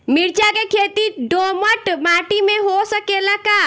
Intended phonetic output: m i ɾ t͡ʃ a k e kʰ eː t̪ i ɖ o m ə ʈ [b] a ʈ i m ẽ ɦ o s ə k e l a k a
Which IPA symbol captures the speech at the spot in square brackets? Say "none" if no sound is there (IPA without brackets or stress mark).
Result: m